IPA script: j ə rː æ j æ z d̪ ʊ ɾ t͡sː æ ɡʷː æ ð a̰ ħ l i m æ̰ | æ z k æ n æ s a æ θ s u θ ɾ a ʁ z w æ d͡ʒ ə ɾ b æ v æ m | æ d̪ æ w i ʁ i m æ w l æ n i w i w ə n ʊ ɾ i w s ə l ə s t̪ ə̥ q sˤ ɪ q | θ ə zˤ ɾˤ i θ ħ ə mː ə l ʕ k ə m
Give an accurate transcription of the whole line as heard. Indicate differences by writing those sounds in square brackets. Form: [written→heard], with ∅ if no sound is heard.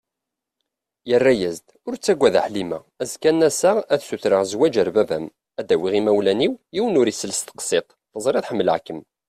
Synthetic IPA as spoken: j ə rː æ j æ z d̪ ʊ ɾ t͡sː æ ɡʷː æ ð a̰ ħ l i m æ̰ | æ z k æ n æ s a æ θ s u θ ɾ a ʁ z w æ d͡ʒ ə ɾ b æ v æ m | æ d̪ æ w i ʁ i m æ w l æ n i w i w ə n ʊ ɾ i [w→∅] s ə l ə s t̪ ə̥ q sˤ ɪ q | θ ə zˤ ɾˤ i θ ħ ə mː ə l ʕ k ə m